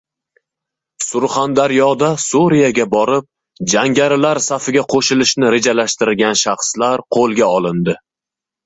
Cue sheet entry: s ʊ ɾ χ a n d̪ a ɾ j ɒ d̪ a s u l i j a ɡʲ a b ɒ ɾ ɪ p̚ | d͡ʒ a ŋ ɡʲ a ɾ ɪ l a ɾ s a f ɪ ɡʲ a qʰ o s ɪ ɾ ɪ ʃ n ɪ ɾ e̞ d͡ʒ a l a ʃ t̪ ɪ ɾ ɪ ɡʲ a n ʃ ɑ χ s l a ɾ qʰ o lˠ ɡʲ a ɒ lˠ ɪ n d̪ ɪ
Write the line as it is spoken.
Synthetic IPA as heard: s ʊ ɾ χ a n d̪ a ɾ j ɒ d̪ a s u ɾ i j a ɡʲ a b ɒ ɾ ɪ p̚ | d͡ʒ a ŋ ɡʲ a ɾ ɪ l a ɾ s a f ɪ ɡʲ a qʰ o ʃ ɪ l ɪ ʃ n ɪ ɾ e̞ d͡ʒ a l a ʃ t̪ ɪ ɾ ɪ ɡʲ a n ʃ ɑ χ s l a ɾ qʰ o lˠ ɡʲ a ɒ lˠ ɪ n d̪ ɪ